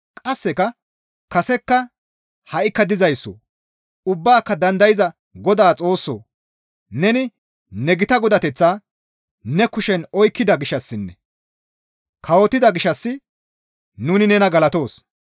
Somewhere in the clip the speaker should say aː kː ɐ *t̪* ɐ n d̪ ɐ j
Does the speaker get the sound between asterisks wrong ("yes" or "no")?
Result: yes